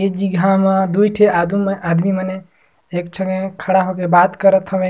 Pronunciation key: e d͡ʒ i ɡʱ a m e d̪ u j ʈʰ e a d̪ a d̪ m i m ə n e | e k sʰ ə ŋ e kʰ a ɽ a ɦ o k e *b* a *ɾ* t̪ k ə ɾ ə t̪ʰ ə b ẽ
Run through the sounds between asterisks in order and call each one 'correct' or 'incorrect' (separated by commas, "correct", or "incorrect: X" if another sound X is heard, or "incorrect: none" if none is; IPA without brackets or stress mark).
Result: correct, incorrect: none